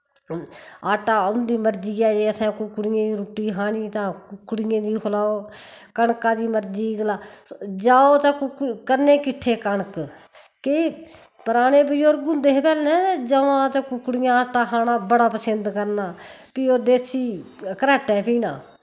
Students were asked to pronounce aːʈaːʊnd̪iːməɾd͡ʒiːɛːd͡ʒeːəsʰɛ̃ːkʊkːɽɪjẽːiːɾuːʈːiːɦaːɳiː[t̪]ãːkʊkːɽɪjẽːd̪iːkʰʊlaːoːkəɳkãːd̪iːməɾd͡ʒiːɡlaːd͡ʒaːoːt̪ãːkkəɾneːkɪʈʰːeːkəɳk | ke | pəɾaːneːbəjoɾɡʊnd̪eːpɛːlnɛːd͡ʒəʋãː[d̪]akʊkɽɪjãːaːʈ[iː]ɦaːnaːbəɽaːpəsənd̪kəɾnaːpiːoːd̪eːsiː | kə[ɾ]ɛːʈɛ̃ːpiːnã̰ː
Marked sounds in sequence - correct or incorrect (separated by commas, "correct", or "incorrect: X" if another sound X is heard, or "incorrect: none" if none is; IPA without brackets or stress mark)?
correct, incorrect: t̪, incorrect: aː, correct